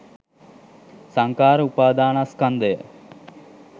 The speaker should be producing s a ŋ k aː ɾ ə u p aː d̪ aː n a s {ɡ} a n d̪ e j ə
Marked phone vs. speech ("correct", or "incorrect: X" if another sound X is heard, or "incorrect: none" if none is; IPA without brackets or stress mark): incorrect: k